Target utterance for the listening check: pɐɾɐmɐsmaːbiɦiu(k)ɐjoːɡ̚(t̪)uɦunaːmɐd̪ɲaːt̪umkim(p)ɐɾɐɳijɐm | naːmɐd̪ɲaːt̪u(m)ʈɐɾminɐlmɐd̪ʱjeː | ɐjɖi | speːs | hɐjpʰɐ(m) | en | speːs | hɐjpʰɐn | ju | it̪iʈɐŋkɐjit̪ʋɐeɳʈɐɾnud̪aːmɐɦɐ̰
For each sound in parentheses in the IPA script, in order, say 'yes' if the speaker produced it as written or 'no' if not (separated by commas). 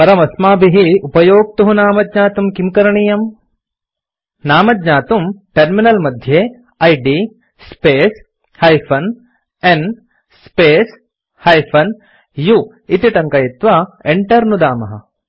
no, yes, no, yes, no